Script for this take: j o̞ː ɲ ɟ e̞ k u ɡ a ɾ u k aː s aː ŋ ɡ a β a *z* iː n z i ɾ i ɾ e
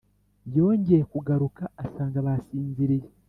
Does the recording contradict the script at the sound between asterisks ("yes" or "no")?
yes